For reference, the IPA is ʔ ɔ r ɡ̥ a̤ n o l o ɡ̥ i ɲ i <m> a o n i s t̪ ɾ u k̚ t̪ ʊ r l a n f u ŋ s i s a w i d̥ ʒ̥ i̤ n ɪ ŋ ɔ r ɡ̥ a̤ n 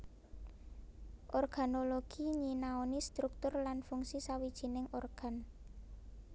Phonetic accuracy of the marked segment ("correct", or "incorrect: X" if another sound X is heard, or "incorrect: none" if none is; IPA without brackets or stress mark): incorrect: n